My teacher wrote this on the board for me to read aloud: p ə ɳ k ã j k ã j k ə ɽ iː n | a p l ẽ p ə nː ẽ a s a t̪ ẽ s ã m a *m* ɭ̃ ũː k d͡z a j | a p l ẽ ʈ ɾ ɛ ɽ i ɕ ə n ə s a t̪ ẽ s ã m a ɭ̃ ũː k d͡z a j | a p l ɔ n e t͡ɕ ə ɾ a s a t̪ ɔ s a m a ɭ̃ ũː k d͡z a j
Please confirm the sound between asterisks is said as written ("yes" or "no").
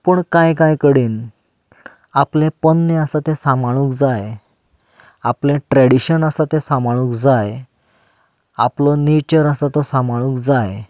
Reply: no